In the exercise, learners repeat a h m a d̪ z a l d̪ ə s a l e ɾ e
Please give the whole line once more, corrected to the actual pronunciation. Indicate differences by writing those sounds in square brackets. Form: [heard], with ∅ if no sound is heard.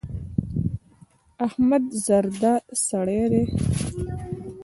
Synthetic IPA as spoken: a h m a d̪ z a [ɾ] d̪ [a] s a [ɽ] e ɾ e